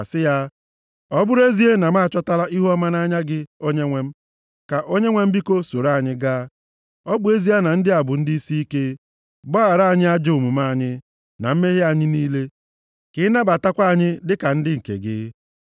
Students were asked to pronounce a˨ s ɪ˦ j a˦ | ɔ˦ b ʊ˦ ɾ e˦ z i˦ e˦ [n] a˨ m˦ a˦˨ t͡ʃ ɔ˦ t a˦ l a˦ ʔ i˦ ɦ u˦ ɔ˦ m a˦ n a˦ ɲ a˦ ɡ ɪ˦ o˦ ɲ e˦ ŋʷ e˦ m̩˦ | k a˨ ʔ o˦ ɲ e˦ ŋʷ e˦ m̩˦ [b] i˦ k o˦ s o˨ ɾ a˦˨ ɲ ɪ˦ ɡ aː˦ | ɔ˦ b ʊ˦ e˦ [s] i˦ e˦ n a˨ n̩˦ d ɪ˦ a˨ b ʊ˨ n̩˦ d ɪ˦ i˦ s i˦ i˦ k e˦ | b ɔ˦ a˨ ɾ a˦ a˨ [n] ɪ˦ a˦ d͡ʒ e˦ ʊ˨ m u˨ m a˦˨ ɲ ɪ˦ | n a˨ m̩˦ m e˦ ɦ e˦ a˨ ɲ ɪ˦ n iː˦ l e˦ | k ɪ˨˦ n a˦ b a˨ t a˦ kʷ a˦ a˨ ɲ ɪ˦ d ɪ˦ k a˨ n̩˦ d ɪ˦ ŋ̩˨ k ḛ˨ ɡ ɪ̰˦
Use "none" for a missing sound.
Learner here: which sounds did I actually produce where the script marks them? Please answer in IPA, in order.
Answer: n, b, z, ɲ

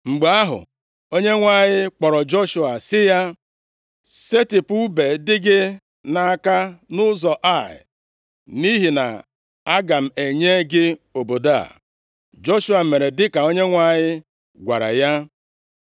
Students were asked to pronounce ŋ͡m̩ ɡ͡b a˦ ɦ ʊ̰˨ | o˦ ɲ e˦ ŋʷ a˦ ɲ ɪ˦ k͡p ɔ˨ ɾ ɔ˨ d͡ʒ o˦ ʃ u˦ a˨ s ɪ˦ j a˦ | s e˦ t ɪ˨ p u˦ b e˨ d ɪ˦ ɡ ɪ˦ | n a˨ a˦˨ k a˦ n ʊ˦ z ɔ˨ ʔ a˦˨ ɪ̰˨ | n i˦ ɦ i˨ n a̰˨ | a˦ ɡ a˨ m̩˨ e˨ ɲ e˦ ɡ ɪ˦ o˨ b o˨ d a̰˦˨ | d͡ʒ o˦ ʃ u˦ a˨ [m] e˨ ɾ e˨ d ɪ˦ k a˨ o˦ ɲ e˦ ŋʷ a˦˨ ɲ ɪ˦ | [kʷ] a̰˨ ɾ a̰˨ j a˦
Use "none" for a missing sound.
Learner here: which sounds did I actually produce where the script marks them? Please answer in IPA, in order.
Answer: m, ɡʷ

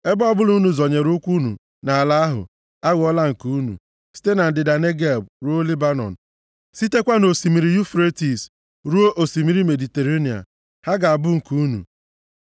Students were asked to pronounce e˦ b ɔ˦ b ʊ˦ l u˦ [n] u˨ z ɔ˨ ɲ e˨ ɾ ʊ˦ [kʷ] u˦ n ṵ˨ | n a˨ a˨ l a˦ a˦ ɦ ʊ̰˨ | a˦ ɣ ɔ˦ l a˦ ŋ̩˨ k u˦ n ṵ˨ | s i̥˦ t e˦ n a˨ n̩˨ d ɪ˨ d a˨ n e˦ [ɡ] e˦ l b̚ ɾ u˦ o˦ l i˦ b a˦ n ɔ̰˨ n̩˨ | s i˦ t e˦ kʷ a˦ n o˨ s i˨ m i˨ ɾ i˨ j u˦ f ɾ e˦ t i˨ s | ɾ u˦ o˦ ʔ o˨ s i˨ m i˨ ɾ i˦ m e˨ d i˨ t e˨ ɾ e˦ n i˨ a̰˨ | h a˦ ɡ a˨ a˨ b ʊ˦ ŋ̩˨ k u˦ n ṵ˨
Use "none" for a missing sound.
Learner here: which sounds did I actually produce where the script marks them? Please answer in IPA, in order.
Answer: n, kʷ, ɡ

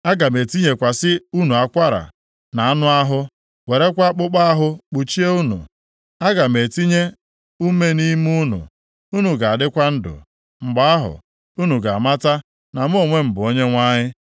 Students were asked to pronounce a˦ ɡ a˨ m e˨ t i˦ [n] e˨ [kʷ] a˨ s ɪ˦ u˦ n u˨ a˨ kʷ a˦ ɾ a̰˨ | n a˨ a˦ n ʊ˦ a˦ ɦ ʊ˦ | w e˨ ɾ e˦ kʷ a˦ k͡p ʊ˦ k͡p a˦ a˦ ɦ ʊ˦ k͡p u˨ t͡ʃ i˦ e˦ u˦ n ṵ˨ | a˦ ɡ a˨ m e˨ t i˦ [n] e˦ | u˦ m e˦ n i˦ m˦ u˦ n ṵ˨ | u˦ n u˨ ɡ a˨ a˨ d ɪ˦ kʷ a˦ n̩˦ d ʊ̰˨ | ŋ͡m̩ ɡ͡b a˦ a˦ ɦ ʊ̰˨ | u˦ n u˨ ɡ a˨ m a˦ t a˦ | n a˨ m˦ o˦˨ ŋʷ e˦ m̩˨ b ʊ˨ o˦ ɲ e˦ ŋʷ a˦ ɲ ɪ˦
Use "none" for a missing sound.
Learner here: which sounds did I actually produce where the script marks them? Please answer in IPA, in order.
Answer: ɲ, kʷ, ɲ

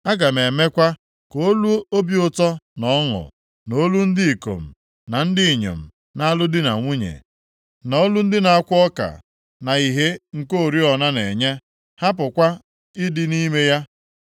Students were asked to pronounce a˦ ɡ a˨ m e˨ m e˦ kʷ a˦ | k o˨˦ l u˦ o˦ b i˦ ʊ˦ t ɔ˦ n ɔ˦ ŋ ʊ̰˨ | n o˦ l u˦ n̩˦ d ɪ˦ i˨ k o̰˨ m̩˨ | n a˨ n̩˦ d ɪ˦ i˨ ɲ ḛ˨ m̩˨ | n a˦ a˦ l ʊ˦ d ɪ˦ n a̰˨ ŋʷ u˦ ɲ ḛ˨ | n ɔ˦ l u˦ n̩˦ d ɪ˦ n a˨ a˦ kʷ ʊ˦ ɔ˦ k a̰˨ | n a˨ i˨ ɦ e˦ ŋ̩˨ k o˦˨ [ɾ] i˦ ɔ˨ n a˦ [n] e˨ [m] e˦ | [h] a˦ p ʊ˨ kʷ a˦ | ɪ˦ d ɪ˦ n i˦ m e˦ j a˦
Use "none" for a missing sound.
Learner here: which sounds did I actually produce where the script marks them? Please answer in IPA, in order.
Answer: ɾ, n, ɲ, h

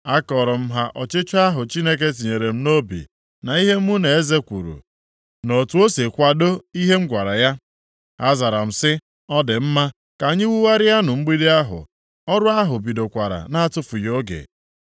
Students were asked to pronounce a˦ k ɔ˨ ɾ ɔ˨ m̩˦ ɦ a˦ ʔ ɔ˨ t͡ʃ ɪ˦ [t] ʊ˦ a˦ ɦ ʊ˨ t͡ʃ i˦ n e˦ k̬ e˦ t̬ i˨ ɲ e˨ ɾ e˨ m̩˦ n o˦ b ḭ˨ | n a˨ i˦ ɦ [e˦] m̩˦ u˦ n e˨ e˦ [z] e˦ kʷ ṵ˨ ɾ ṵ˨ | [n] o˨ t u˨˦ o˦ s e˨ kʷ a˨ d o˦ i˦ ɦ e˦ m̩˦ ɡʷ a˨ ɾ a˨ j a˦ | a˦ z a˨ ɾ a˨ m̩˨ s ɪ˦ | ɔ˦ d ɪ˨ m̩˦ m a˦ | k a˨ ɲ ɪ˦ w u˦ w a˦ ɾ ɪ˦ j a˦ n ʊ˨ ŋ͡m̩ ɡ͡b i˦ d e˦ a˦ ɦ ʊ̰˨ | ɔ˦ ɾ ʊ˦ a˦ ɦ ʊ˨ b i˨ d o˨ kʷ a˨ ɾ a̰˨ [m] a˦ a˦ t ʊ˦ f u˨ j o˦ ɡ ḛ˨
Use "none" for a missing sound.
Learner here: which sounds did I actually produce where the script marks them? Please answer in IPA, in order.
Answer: t͡ʃ, e˦, z, n, n

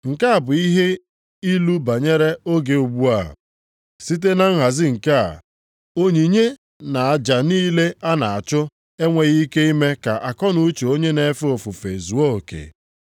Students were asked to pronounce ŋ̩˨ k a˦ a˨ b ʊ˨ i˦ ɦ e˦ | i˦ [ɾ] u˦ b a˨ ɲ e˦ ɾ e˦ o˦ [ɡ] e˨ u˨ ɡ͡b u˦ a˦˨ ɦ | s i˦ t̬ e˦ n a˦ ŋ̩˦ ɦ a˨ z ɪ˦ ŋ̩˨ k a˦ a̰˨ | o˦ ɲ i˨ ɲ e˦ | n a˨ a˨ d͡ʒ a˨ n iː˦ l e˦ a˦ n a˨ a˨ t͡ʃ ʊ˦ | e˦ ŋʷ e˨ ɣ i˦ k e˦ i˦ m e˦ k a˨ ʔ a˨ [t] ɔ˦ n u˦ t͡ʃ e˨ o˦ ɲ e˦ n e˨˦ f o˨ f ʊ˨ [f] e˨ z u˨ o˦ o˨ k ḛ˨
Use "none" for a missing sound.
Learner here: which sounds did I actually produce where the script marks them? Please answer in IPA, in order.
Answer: l, ɡ, k, f

